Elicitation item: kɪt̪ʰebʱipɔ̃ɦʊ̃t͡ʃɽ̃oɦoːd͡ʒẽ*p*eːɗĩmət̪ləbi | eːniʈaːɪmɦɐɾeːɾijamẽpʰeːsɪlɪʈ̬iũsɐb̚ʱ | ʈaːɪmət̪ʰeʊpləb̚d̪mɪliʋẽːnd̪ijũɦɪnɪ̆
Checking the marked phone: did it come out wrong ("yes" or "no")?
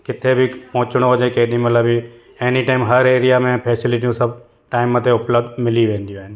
yes